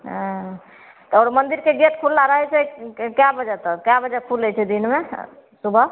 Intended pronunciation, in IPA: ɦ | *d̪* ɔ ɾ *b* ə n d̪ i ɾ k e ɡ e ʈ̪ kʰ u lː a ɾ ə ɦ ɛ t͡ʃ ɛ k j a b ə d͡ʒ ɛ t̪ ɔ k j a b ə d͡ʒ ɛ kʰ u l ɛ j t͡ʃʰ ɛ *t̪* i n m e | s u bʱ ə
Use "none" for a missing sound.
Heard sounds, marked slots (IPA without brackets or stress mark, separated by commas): t̪, m, d̪